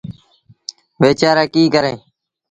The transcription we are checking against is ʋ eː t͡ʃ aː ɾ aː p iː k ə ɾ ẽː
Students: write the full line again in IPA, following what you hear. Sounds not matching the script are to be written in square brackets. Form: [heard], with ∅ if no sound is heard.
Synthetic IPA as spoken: ʋ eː t͡ʃ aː ɾ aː [k] iː k ə ɾ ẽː